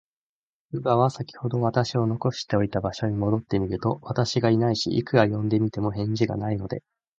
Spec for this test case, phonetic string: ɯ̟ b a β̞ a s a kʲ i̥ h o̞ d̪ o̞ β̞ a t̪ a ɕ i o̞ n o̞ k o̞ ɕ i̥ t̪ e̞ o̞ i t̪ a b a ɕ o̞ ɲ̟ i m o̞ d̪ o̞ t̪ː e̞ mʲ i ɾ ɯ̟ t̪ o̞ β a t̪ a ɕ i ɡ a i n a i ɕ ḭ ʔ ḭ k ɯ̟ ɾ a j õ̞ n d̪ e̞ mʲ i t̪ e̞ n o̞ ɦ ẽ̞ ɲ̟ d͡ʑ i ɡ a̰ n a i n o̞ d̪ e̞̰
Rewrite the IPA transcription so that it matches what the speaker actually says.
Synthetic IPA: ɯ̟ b a β̞ a s a kʲ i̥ h o̞ d̪ o̞ β̞ a t̪ a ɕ i o̞ n o̞ k o̞ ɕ i̥ t̪ e̞ o̞ i t̪ a b a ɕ o̞ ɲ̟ i m o̞ d̪ o̞ t̪ː e̞ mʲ i ɾ ɯ̟ t̪ o̞ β a t̪ a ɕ i ɡ a i n a i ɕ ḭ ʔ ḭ k ɯ̟ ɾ a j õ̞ n d̪ e̞ mʲ i t̪ e̞ m o̞ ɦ ẽ̞ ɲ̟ d͡ʑ i ɡ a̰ n a i n o̞ d̪ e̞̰